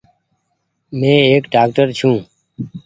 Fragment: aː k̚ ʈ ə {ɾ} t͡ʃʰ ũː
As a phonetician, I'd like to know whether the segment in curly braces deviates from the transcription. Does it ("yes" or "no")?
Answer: no